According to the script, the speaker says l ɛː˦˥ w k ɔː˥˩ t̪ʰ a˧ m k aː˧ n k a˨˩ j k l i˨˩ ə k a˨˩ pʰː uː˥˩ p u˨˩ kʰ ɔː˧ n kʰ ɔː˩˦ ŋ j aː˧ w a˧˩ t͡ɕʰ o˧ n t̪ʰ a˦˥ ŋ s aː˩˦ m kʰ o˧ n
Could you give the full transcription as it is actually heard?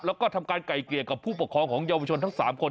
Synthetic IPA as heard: l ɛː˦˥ w k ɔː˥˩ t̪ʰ a˧ m k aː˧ n k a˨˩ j k l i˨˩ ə k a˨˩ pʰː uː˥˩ p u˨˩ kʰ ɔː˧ ŋ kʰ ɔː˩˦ ŋ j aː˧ w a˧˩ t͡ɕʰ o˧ n t̪ʰ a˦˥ ŋ s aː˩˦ m kʰ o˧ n